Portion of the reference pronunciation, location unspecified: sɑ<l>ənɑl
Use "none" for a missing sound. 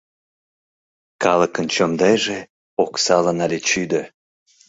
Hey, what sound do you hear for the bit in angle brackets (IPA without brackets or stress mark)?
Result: l